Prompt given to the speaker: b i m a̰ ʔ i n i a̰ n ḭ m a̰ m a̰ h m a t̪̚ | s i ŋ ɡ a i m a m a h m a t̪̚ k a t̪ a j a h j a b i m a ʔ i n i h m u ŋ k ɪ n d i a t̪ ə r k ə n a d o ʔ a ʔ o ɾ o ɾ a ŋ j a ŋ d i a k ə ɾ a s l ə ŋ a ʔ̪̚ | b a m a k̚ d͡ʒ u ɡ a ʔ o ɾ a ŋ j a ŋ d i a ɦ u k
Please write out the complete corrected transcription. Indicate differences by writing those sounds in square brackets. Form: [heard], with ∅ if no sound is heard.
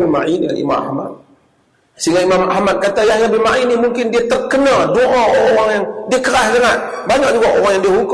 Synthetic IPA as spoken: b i m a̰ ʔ i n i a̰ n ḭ m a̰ m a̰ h m a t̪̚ | s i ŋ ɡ a i m a m a h m a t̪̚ k a t̪ a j a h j a b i m a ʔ i n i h m u ŋ k ɪ n d i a t̪ ə r k ə n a d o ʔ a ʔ o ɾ o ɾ a ŋ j a ŋ d i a k ə ɾ a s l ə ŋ a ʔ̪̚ | b a [ɲ] a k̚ d͡ʒ u ɡ a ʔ o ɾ a ŋ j a ŋ d i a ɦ u k